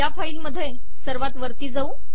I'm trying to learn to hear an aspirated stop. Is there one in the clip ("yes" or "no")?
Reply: no